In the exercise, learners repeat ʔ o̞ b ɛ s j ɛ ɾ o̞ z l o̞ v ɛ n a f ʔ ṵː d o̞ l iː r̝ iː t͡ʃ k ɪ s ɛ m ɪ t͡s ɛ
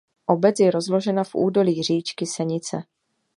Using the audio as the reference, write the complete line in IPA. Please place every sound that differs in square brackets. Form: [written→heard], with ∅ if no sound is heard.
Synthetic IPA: ʔ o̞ b ɛ [s→t͡s] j ɛ ɾ o̞ z l o̞ [v→ʒ] ɛ n a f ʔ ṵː d o̞ l iː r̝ iː t͡ʃ k ɪ s ɛ [m→ɲ] ɪ t͡s ɛ